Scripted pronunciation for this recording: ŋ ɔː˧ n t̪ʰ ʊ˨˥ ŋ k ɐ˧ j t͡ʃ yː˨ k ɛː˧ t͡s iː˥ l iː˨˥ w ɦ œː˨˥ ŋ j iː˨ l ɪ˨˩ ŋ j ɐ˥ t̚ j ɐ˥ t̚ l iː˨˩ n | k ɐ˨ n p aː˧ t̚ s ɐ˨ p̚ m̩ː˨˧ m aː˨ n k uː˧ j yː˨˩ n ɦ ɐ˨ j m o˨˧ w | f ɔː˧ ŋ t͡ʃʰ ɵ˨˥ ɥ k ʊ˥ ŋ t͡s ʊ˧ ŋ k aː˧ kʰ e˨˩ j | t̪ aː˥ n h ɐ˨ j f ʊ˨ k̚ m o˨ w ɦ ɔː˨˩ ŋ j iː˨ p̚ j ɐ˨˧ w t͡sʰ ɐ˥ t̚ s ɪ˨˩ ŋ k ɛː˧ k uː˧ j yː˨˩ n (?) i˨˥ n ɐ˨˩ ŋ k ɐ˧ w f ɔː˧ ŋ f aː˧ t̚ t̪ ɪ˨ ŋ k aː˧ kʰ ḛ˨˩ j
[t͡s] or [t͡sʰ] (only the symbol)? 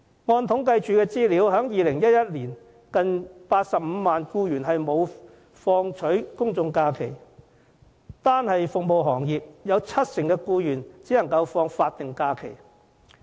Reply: t͡s